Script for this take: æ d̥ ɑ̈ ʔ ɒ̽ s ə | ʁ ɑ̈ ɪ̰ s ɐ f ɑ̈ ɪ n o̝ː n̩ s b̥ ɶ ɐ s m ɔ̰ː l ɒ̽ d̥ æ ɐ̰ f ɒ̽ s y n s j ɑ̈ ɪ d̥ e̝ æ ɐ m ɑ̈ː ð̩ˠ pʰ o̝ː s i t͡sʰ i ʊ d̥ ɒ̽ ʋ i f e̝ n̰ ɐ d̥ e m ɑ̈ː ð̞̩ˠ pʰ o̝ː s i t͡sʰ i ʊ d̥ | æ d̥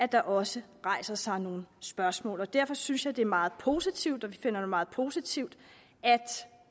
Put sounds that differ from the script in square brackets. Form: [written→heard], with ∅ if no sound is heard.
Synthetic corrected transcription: æ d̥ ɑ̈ ʔ ɒ̽ s ə | ʁ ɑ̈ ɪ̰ s ɐ [f→s] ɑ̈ ɪ n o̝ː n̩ s b̥ ɶ ɐ s m ɔ̰ː l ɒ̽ d̥ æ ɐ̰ f ɒ̽ s y n s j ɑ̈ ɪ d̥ e̝ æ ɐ m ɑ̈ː ð̩ˠ pʰ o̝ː s i t͡sʰ i ʊ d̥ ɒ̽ ʋ i f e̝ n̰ ɐ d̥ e m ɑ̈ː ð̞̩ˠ pʰ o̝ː s i t͡sʰ i ʊ d̥ | æ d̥